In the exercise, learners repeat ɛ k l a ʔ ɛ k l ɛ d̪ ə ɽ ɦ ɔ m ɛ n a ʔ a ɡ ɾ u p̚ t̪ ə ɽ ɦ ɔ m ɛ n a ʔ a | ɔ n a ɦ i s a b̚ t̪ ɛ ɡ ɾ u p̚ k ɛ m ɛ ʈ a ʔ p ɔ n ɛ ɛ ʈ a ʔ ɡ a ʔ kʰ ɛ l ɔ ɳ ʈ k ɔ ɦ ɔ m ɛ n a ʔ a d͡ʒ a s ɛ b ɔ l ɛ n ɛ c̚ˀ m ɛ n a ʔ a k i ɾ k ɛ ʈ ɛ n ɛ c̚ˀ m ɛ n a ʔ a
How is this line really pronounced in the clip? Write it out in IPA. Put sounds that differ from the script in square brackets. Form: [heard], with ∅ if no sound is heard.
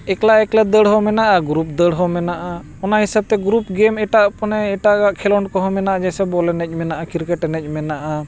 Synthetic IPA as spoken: ɛ k l a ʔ ɛ k l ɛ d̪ ə ɽ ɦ ɔ m ɛ n a ʔ a ɡ ɾ u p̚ [d̪] ə ɽ ɦ ɔ m ɛ n a ʔ a | ɔ n a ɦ i s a b̚ t̪ ɛ ɡ ɾ u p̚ [ɡ] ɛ m ɛ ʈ a ʔ p ɔ n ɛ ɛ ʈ a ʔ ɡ a ʔ kʰ ɛ l ɔ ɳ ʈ k ɔ ɦ ɔ m ɛ n a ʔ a d͡ʒ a s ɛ b ɔ l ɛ n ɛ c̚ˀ m ɛ n a ʔ a k i ɾ k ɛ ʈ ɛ n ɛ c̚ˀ m ɛ n a ʔ a